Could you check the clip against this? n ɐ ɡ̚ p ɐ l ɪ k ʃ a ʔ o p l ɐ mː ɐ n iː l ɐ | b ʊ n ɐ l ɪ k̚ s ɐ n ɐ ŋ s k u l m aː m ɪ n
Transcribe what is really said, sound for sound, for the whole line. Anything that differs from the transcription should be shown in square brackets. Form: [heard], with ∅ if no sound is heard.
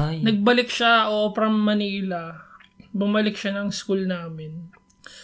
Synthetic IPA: n ɐ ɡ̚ [b] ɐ l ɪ k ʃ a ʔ o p [ɾ] ɐ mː ɐ n iː l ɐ | b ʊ [m] ɐ l ɪ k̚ [ʃ] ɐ n ɐ ŋ s k u l [n] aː m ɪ n